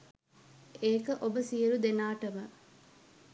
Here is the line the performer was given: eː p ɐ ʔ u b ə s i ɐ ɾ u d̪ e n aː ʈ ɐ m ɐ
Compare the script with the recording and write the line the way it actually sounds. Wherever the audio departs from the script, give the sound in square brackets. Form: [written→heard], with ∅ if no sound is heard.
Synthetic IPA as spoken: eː [p→k] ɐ ʔ [u→o] b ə s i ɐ ɾ u d̪ e n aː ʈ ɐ m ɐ